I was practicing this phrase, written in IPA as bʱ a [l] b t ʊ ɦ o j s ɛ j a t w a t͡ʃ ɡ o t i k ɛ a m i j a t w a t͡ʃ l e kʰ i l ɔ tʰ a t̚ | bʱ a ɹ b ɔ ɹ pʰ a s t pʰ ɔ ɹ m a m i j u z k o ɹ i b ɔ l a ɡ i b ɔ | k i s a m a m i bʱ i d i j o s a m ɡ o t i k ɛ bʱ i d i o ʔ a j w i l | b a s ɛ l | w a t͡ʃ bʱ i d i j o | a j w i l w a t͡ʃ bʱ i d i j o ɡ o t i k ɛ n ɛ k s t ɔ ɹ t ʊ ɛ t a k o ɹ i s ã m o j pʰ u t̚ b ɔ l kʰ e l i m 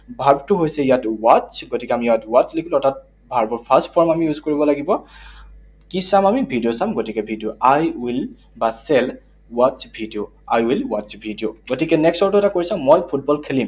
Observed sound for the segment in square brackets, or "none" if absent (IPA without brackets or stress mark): ɹ